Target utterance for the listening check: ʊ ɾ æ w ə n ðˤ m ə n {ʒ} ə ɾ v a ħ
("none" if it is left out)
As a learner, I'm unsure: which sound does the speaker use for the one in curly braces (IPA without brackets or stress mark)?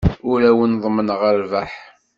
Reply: ʁ